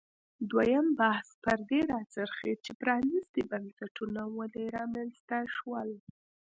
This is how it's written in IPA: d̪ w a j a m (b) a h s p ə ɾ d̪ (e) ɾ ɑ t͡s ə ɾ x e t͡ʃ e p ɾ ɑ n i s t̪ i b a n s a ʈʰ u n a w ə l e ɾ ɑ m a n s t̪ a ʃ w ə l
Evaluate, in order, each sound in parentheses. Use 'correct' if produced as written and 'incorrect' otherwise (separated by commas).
correct, correct